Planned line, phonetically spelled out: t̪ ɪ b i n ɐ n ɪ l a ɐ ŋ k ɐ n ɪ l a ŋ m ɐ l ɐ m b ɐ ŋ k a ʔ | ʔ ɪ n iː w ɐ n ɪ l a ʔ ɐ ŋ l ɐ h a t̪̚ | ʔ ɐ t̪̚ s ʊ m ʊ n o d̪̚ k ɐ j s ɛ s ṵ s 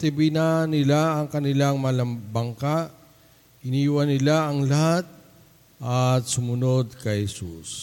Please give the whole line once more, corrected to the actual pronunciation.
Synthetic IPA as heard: t̪ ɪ b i n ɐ n ɪ l a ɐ ŋ k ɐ n ɪ l a ŋ m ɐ l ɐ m b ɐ ŋ k a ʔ | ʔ ɪ n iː w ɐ n ɪ l a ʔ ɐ ŋ l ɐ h a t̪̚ | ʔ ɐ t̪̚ s ʊ m ʊ n o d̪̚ k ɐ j h ɛ s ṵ s